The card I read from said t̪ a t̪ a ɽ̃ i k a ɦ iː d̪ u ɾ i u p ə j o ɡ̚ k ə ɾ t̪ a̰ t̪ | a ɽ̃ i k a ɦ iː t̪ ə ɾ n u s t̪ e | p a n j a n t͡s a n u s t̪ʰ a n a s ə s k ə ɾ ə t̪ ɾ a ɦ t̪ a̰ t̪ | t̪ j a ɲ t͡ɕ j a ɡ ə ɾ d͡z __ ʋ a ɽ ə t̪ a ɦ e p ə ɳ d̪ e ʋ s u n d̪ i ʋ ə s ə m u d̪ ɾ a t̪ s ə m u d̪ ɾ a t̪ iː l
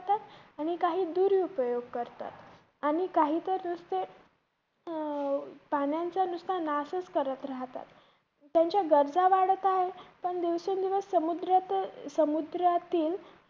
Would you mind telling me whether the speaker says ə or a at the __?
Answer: a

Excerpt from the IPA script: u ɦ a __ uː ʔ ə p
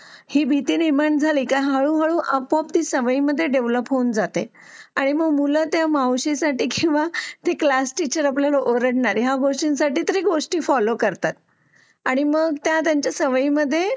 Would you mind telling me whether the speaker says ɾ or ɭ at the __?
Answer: ɭ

